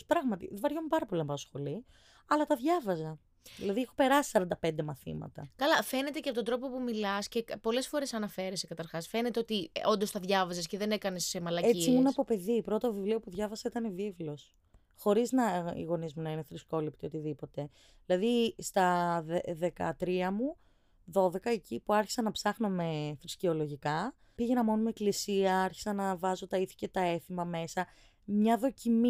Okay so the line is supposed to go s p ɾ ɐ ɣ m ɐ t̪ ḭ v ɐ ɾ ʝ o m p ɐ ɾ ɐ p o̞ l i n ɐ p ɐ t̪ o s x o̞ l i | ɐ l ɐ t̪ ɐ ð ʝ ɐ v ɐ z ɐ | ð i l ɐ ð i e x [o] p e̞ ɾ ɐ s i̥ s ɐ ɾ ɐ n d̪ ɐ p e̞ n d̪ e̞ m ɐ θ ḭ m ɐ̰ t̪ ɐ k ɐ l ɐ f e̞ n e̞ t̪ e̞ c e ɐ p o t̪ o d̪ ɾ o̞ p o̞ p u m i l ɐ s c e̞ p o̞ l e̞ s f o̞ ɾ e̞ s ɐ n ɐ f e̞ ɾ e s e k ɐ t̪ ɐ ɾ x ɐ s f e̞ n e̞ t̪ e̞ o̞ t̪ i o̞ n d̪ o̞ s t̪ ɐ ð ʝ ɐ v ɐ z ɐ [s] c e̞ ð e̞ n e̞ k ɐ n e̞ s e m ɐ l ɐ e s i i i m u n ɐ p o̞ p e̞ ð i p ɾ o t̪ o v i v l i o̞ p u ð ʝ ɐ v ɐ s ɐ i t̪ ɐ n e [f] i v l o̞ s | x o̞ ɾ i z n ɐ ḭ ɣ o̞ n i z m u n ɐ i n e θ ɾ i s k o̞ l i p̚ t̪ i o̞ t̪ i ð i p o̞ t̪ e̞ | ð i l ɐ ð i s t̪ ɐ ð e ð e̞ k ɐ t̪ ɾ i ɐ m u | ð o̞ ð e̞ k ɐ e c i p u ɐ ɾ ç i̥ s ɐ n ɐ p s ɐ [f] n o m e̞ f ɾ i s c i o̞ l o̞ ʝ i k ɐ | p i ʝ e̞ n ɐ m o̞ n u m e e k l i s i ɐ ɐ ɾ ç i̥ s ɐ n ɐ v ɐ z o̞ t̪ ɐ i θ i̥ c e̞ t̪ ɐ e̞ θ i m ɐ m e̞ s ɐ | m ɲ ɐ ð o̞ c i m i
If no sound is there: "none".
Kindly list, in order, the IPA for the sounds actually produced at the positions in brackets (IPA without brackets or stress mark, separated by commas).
o, s, v, x